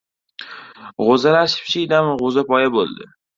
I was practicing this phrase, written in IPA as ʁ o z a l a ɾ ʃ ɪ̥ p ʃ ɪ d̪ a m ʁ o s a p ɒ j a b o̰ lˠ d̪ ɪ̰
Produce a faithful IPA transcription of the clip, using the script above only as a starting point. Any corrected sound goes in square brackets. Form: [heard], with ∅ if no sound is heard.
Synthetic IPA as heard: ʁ o z a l a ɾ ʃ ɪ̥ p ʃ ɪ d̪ a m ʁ o [z] a p ɒ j a b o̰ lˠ d̪ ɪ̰